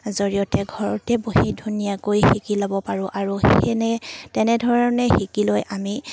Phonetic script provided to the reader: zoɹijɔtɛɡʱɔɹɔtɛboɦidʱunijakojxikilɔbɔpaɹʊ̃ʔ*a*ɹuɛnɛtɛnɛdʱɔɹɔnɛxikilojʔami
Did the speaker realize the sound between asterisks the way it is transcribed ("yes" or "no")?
yes